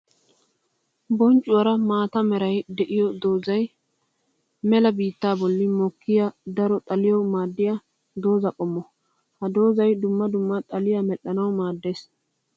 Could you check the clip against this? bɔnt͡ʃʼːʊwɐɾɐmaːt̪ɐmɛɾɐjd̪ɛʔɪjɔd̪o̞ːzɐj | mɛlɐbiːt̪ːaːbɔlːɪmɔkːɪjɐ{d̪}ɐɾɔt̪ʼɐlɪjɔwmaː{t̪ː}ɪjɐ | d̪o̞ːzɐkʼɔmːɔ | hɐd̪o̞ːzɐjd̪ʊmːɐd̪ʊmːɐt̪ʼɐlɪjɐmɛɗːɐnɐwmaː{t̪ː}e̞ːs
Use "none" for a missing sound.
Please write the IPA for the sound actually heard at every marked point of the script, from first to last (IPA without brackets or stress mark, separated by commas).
d̪, d̪ː, d̪ː